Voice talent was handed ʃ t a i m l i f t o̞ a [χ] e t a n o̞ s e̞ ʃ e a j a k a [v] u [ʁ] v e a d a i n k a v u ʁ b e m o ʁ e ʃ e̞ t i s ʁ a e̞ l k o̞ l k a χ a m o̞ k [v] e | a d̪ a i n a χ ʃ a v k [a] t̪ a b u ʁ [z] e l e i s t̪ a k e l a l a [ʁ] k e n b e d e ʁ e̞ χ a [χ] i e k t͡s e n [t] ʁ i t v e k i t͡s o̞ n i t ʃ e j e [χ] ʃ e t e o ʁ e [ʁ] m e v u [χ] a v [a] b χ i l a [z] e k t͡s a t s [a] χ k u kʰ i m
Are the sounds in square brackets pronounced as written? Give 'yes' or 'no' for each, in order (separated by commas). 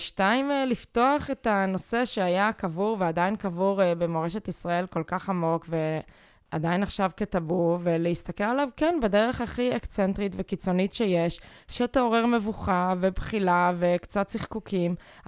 yes, yes, yes, yes, no, no, no, yes, yes, no, yes, yes, no, no, no